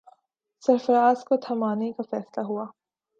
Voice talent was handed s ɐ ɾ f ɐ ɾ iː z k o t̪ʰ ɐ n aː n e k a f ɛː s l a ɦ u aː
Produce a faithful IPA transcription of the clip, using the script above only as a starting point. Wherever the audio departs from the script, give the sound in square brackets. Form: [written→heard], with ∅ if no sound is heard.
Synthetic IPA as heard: s ɐ ɾ f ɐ ɾ [iː→aː] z k o t̪ʰ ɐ [n→m] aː n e k a f ɛː s l a ɦ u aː